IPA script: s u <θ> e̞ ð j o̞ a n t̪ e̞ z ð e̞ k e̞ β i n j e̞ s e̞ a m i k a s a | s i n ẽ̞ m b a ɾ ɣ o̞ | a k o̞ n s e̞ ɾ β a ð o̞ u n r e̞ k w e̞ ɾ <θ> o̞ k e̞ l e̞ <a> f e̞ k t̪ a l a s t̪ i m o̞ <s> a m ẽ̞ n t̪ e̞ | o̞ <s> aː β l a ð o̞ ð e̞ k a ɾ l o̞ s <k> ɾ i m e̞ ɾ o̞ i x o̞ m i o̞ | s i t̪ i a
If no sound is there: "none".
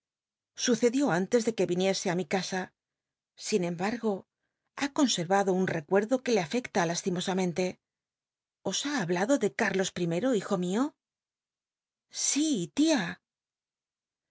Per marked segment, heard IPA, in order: θ, ð, a, s, s, p

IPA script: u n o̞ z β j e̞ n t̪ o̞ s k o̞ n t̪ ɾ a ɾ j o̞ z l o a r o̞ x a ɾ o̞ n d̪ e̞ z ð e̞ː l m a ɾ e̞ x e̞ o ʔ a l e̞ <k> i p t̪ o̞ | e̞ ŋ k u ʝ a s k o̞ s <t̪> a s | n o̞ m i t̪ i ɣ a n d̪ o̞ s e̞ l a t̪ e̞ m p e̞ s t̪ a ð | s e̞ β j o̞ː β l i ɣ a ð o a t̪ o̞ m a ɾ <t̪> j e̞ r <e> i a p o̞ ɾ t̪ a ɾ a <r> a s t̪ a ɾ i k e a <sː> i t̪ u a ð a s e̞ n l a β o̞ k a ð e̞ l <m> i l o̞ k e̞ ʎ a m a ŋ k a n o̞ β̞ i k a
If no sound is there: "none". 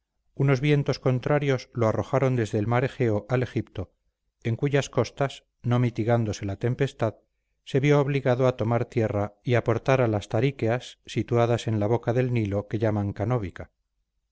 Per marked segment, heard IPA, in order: x, t̪, t̪, a, l, sː, n

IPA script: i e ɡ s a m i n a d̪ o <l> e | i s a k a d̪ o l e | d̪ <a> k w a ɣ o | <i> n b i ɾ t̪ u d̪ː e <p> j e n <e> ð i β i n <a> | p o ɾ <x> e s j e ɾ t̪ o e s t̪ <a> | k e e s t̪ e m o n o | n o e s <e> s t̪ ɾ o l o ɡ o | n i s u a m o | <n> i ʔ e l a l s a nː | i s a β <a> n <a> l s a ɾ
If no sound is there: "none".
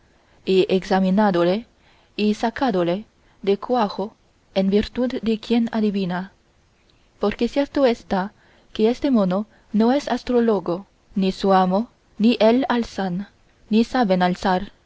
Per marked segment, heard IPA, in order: l, e, e, k, a, a, k, a, a, n, e, a

